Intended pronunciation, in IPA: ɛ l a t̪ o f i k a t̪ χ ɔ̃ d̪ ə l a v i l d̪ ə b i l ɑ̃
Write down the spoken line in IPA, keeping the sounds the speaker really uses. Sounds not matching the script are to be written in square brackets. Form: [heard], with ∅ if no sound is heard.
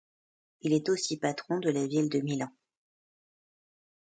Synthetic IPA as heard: [i] l [ɛ] t̪ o [s] i [p] a t̪ χ ɔ̃ d̪ ə l a v i l d̪ ə [m] i l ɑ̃